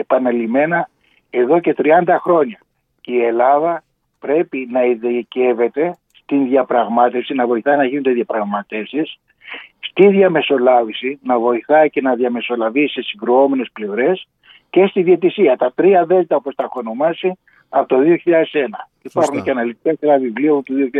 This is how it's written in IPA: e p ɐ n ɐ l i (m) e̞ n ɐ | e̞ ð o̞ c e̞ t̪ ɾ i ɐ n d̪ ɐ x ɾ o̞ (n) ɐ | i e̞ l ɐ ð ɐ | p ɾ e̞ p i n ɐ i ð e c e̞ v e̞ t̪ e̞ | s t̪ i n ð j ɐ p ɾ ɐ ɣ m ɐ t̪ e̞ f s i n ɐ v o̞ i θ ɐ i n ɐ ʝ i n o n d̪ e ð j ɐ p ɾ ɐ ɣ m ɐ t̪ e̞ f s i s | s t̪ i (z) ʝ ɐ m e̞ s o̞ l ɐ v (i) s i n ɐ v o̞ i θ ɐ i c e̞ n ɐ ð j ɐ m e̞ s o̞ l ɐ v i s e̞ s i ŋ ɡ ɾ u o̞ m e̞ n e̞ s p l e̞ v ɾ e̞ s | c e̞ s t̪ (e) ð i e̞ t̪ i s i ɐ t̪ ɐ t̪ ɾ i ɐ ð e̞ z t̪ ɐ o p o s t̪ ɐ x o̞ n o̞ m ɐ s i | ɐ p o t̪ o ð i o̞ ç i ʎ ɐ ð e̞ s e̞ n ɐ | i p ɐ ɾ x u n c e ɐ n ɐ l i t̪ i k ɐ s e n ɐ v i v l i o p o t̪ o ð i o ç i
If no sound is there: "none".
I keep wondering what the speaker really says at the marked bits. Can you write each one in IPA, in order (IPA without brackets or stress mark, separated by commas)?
m, ɲ, ð, i, i